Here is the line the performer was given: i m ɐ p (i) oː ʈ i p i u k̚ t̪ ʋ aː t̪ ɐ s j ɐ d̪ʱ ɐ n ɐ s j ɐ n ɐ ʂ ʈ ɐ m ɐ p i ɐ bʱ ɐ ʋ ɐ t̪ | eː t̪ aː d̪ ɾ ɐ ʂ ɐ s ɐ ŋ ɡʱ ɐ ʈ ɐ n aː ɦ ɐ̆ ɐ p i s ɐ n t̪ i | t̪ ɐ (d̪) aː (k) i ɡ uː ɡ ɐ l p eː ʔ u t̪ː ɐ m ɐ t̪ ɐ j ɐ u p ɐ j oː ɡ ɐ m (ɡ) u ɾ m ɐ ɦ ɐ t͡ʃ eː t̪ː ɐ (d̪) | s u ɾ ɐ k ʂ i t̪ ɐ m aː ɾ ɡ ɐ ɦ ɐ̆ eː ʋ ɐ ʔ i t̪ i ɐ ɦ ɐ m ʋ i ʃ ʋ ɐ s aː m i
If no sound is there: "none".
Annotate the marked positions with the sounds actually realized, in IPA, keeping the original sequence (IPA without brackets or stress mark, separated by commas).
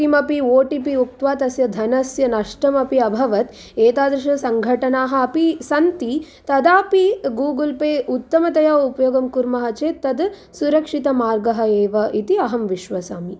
i, d̪, p, k, d̪